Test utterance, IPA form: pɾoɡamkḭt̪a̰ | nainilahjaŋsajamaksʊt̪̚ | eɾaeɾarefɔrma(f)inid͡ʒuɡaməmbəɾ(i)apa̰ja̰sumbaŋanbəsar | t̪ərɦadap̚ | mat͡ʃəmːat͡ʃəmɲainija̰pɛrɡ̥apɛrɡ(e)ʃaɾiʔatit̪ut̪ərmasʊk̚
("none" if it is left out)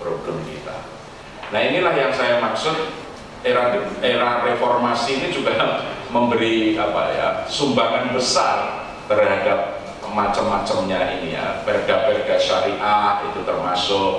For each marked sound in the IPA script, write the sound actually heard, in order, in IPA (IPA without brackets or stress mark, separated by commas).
s, i, a